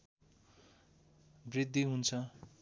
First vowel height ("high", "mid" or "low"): high